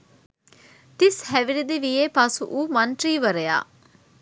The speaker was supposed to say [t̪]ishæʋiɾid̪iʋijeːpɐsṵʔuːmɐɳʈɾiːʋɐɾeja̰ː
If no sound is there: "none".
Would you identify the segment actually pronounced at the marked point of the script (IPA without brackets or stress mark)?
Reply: t̪